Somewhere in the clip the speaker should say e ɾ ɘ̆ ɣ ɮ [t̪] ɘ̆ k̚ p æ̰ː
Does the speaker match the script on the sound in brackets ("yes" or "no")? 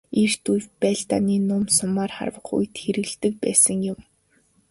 yes